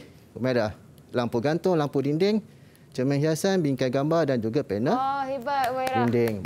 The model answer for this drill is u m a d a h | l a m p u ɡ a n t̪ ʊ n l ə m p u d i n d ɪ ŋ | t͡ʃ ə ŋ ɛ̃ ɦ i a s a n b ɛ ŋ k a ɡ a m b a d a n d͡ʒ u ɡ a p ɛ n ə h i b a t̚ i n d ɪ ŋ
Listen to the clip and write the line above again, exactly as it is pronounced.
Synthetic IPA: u m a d a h | l a m p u ɡ a n t̪ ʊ ŋ l a m p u d i n d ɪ ŋ | t͡ʃ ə m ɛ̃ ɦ i a s a n b i ŋ k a ɡ a m b a d a n d͡ʒ u ɡ a p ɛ n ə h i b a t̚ i n d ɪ ŋ